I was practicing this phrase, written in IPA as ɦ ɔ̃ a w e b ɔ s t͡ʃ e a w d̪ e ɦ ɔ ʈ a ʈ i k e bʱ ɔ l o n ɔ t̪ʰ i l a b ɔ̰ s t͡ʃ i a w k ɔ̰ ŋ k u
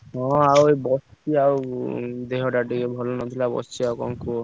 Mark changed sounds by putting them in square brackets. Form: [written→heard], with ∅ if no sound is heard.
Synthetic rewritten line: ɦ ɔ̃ a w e b ɔ s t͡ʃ [e→i] a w d̪ e ɦ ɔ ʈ a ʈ i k e bʱ ɔ l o n ɔ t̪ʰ i l a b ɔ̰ s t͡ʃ i a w k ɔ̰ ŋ k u